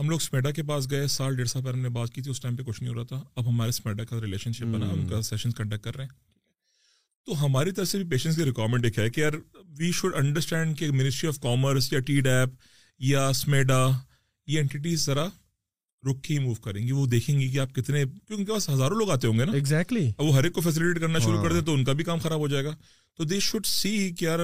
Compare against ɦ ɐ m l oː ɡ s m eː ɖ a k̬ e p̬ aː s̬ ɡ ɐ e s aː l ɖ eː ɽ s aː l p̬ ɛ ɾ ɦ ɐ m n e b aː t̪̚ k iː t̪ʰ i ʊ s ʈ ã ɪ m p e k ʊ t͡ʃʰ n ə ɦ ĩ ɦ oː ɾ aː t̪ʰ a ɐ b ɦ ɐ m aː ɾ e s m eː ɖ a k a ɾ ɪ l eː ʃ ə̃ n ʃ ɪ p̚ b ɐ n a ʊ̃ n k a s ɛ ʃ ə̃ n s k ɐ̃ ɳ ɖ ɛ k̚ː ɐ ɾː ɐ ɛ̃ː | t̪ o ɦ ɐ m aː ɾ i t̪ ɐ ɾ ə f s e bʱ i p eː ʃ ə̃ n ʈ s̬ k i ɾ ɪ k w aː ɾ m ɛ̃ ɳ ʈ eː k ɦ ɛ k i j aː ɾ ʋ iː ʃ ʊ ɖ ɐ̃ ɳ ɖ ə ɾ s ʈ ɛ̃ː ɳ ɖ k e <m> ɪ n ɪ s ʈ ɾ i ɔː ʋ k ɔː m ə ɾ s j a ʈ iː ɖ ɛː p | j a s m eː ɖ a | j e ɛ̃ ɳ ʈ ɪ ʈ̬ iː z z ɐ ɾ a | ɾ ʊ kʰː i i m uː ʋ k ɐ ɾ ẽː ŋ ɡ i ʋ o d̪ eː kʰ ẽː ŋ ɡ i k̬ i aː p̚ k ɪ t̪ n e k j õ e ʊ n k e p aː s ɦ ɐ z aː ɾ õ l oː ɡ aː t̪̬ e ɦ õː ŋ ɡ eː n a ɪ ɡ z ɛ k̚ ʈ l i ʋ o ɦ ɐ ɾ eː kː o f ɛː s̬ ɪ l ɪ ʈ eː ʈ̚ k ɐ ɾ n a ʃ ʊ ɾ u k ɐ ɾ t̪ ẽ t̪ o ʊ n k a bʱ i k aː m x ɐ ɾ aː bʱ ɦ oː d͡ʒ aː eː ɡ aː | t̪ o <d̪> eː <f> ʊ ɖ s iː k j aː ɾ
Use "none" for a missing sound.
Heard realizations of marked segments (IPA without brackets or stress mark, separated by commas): m, d̪, ʃ